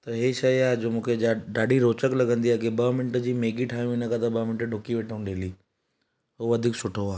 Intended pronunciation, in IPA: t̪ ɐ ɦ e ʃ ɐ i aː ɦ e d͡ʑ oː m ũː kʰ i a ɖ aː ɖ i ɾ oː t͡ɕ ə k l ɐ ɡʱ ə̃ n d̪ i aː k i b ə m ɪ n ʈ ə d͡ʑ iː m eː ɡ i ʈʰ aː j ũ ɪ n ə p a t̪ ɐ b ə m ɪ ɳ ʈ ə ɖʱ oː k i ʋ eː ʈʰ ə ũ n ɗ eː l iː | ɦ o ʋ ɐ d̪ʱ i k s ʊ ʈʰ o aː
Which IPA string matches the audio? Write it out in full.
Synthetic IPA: t̪ ɐ ɦ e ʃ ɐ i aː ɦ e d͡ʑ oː m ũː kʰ e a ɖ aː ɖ i ɾ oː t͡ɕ ə k l ɐ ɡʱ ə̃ n d̪ i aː k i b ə m ɪ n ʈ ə d͡ʑ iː m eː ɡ i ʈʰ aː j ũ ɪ n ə k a t̪ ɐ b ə m ɪ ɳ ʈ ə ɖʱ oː k i ʋ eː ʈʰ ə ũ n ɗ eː l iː | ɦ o ʋ ɐ d̪ʱ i k s ʊ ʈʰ o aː